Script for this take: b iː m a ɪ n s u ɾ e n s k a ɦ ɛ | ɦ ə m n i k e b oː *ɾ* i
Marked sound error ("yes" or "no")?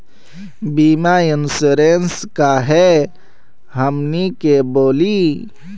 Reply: yes